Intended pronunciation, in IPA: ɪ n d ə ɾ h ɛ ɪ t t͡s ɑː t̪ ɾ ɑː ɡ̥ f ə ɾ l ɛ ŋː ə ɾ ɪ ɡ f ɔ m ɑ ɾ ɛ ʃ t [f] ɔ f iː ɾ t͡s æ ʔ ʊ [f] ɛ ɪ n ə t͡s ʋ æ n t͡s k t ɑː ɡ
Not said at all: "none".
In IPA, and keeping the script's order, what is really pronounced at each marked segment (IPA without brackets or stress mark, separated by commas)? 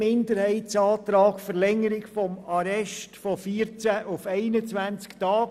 f, f